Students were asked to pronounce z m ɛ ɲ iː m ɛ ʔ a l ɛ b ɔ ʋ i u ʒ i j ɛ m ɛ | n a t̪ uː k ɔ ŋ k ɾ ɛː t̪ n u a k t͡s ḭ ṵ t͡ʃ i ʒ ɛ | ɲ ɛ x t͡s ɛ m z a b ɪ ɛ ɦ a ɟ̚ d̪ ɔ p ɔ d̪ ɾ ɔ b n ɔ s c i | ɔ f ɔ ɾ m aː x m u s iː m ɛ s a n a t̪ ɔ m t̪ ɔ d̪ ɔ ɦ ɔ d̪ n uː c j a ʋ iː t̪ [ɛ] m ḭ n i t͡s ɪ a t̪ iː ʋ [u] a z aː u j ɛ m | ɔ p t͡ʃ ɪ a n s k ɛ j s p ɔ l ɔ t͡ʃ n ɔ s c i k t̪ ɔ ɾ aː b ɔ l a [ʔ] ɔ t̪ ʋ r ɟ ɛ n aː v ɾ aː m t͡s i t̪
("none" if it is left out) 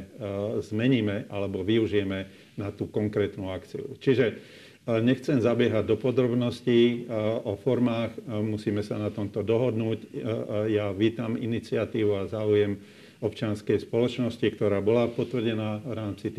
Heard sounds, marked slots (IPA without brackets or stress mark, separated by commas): a, u, p